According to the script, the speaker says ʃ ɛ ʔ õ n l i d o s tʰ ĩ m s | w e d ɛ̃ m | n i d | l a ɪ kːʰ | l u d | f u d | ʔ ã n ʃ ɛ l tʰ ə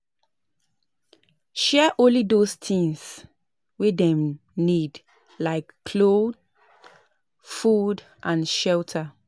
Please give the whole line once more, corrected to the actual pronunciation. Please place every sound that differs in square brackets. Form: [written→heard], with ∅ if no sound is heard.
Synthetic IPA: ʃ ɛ ʔ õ n l i d o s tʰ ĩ [m→ŋ] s | w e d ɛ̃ m | n i d | l a ɪ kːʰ | l [u→o] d | f u d | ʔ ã n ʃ ɛ l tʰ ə